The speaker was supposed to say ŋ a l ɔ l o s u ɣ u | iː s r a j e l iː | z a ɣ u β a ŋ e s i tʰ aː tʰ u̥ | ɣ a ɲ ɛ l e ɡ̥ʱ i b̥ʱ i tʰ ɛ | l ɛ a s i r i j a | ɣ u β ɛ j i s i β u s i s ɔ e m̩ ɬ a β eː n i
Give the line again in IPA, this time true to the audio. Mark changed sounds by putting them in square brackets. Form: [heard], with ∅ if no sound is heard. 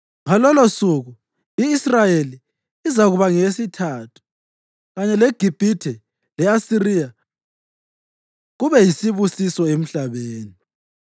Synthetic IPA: ŋ a l ɔ l o s u ɣ u | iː s r a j e l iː | z a ɣ u β a ŋ e s i tʰ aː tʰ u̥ | ɣ a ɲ ɛ l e ɡ̥ʱ i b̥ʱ i tʰ ɛ | l ɛ a s i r i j a | ɣ u β ɛ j i s i β u s i s ɔ e m̩ ɬ a β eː n i